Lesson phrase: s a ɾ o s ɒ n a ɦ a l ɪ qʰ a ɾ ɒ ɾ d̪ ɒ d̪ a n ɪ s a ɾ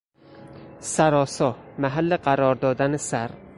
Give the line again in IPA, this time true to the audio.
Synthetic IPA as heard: s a ɾ ɒ s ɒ m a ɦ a lː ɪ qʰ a ɾ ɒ ɾ d̪ ɒ d̪ a n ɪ s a ɾ

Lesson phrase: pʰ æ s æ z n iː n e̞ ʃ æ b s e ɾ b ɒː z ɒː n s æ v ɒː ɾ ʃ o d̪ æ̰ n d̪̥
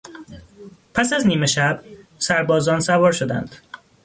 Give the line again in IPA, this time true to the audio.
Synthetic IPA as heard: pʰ æ s æ z n iː m e̞ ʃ æ b s æ ɾ b ɒː z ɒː n s æ v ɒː ɾ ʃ o d̪ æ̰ n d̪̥

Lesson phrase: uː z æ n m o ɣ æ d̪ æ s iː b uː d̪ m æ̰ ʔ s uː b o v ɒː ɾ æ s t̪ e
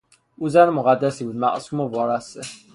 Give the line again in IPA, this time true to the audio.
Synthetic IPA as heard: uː z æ n m o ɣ æ d̪ː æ s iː b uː d̪ m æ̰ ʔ s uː m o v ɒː ɾ æ s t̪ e

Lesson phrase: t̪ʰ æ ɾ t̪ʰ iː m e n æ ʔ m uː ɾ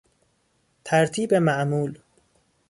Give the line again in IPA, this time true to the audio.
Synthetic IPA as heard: t̪ʰ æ ɾ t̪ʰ iː b e m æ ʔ m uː l

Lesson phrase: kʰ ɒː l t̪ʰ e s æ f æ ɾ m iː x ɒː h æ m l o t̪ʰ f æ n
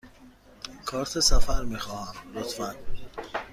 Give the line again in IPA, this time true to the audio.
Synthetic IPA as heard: kʰ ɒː ɾ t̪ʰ e s æ f æ ɾ m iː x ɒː h æ m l o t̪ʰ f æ n

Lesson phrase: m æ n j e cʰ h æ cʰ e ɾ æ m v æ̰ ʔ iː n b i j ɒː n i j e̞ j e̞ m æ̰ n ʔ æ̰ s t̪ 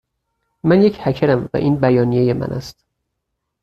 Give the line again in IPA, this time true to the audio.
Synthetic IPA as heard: m æ n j e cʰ h æ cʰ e ɾ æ m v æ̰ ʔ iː n b æ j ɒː n i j e̞ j e̞ m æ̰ n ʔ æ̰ s t̪

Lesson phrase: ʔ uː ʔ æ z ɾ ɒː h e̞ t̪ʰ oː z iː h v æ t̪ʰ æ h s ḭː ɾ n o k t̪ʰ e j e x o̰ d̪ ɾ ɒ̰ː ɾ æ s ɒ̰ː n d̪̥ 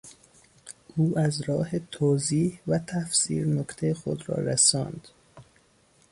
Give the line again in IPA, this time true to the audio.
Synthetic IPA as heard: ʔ uː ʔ æ z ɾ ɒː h e̞ t̪ʰ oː z iː h v æ t̪ʰ æ f s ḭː ɾ n o k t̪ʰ e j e x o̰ d̪ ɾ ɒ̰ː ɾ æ s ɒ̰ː n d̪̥

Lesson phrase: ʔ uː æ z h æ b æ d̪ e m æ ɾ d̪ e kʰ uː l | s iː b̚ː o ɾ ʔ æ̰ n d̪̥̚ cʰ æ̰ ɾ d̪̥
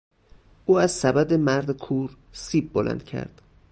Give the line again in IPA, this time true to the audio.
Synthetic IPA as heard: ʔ uː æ z s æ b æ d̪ e m æ ɾ d̪ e kʰ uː ɾ | s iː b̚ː o l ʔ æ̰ n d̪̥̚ cʰ æ̰ ɾ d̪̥

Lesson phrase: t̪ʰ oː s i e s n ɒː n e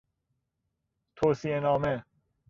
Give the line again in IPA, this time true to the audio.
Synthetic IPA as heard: t̪ʰ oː s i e n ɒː m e

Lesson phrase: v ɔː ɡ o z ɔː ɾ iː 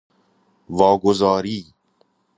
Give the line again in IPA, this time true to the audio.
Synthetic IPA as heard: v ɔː ɡ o z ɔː ɾ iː

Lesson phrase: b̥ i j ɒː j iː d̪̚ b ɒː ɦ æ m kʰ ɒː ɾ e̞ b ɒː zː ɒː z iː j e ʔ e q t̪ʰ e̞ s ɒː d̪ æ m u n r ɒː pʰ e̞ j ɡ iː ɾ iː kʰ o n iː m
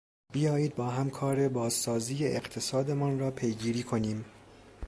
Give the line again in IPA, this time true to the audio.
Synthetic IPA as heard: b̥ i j ɒː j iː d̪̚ b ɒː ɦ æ m kʰ ɒː ɾ e̞ b ɒː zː ɒː z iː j e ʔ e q t̪ʰ e̞ s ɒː d̪ e m ɒ n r ɒː pʰ e̞ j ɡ iː ɾ iː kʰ o n iː m

